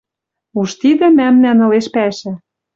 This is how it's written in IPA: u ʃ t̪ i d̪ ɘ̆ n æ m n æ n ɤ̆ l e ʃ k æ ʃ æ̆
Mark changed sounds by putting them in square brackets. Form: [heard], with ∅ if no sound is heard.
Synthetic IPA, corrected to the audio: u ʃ t̪ i d̪ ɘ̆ [m] æ m n æ n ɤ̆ l e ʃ [p] æ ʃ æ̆